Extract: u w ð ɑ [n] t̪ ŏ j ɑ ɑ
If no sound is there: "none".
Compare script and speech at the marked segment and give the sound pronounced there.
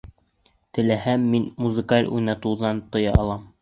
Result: n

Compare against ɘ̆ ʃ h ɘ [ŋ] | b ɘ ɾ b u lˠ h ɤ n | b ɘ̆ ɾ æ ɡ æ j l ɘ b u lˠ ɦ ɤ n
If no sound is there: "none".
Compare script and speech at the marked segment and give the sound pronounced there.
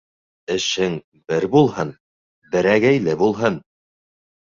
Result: ŋ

